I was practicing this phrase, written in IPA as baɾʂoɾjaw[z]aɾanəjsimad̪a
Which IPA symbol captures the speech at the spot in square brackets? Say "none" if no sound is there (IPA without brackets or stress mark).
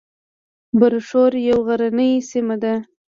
ɣ